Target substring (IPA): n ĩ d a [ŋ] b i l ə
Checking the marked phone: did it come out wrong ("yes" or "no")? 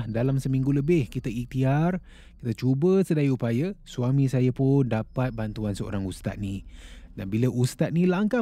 yes